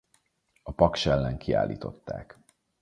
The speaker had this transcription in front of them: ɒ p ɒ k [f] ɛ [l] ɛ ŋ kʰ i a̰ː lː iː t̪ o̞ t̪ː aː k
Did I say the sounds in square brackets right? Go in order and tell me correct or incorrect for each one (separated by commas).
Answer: incorrect, incorrect